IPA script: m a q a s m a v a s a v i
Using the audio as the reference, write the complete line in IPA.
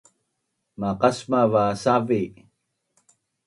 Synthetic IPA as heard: m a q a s m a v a s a v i